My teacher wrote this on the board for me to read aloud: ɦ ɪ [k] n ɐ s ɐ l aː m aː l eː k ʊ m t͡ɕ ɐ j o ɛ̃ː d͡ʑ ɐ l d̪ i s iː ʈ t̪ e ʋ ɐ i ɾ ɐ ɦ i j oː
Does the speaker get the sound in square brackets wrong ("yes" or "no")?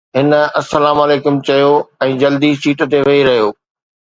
yes